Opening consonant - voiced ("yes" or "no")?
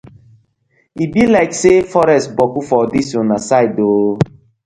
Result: yes